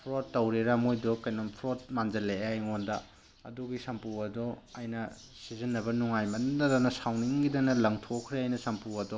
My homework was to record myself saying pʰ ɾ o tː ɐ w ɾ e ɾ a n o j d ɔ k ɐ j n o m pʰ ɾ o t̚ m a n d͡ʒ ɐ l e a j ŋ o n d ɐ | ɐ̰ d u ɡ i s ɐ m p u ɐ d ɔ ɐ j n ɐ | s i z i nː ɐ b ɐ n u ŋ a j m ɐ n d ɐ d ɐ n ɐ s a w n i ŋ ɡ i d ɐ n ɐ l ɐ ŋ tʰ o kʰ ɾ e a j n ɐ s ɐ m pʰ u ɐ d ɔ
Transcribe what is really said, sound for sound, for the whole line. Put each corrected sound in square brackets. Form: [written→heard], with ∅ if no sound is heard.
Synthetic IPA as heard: pʰ ɾ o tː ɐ w ɾ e ɾ a [n→m] o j d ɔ k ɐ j n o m pʰ ɾ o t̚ m a n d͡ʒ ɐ l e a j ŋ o n d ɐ | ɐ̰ d u ɡ i s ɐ m p u ɐ d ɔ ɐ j n ɐ | s i z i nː ɐ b ɐ n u ŋ a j m ɐ n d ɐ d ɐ n ɐ s a w n i ŋ ɡ i d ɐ n ɐ l ɐ ŋ tʰ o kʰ ɾ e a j n ɐ s ɐ m [pʰ→p] u ɐ d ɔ